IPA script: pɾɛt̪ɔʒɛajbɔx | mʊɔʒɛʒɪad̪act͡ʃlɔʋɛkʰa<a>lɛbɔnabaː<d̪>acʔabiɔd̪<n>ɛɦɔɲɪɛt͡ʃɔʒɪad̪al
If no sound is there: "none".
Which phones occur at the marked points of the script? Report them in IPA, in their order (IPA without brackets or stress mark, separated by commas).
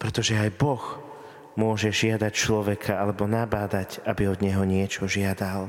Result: a, d̪, ɲ